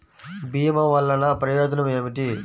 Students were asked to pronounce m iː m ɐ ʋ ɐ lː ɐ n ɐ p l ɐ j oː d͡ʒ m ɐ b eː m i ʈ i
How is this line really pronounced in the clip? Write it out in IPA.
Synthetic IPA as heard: b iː m ɐ ʋ ɐ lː ɐ n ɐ p ɾ ɐ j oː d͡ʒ n ɐ m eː m i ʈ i